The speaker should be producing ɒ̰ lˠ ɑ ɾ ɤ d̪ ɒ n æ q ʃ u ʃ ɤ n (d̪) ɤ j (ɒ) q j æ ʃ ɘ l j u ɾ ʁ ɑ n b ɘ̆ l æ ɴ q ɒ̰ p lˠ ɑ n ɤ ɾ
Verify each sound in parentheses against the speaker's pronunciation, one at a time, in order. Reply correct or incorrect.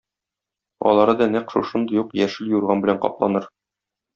correct, incorrect

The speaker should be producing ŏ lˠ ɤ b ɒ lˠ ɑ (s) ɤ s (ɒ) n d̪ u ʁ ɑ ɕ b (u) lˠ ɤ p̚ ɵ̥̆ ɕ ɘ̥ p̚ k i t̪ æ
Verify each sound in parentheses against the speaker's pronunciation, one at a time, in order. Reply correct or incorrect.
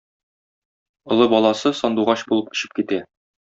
correct, correct, correct

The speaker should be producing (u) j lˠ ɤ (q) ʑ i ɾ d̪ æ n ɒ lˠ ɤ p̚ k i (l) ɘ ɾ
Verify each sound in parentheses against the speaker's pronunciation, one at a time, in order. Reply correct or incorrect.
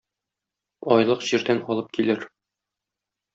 incorrect, correct, correct

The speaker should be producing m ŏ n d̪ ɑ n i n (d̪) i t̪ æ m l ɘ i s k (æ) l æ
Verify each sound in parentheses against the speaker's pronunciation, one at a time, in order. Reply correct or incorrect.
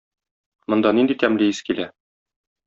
correct, incorrect

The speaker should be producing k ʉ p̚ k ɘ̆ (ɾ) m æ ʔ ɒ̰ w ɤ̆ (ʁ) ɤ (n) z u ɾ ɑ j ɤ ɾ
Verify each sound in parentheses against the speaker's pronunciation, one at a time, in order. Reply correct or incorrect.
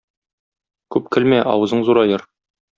incorrect, incorrect, incorrect

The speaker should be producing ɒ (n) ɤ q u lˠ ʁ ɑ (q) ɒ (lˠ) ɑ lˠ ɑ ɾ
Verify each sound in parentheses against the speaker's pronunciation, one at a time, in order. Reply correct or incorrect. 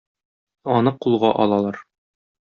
correct, incorrect, correct

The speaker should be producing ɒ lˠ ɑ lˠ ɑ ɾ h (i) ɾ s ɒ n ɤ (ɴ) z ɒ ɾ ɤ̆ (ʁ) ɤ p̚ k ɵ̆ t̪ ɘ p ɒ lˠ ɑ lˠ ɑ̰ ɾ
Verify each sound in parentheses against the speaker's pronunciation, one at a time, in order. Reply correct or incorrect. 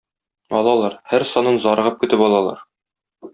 incorrect, incorrect, correct

